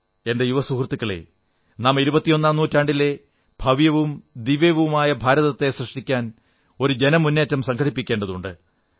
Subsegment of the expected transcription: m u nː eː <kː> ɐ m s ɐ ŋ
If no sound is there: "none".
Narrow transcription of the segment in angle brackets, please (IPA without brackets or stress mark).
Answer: tː